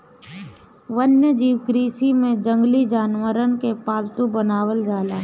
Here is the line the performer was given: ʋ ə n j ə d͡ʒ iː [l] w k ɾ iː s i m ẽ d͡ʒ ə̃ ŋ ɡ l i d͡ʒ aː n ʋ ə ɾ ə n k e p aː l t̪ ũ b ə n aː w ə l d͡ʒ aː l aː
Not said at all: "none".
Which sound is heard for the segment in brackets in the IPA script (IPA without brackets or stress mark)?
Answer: none